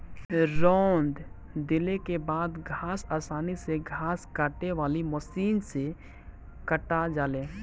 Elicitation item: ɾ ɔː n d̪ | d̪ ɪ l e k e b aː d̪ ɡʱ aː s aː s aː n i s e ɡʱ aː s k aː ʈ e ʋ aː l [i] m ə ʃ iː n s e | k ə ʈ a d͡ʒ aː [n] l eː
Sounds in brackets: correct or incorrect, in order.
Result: correct, incorrect

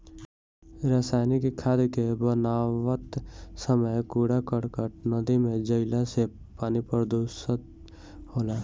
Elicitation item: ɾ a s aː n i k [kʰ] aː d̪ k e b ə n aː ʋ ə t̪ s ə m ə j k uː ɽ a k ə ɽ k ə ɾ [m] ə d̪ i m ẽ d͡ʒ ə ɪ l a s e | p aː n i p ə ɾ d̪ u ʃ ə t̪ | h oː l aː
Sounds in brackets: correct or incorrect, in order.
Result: correct, incorrect

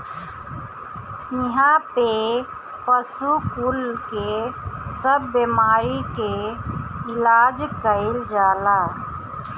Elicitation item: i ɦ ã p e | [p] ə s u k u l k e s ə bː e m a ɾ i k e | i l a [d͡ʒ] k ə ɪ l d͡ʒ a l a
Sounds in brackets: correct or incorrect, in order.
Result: correct, correct

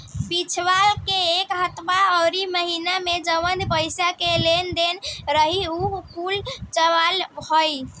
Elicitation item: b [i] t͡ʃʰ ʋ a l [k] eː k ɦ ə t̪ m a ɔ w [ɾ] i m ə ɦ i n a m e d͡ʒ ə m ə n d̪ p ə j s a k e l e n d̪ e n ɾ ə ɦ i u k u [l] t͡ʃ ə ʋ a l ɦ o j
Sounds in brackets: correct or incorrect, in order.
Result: correct, correct, correct, correct

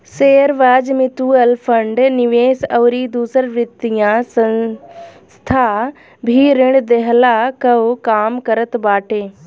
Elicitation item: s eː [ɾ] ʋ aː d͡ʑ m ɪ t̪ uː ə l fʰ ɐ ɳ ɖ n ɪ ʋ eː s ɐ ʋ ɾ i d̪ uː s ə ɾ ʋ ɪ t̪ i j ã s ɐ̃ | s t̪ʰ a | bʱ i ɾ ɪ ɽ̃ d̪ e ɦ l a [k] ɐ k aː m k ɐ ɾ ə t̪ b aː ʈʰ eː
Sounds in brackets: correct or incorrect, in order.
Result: correct, correct

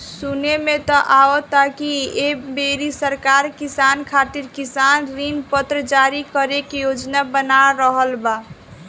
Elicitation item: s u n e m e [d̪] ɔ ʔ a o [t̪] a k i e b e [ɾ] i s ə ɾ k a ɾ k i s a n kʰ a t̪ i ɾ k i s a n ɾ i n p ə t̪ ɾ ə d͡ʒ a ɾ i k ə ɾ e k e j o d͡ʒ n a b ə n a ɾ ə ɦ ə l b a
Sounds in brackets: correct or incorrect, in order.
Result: incorrect, correct, correct

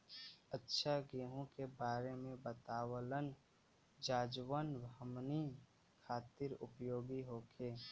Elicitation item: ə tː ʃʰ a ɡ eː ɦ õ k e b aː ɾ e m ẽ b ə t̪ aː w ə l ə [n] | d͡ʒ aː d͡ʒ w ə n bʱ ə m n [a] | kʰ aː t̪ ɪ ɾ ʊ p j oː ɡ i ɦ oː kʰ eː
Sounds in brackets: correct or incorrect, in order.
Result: correct, incorrect

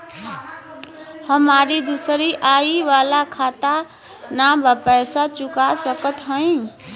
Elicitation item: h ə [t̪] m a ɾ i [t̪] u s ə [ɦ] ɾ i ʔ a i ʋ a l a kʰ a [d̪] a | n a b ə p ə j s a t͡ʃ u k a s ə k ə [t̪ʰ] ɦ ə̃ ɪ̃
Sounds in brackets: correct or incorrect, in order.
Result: incorrect, incorrect, incorrect, incorrect, incorrect

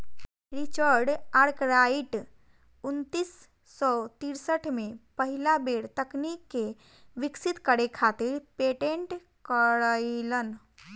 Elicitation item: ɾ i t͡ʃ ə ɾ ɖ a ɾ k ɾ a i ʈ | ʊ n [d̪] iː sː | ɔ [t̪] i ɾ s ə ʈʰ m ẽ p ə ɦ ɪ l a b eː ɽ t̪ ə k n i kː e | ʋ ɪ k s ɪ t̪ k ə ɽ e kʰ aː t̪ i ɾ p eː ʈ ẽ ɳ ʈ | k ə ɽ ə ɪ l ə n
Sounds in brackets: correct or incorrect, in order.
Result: incorrect, correct

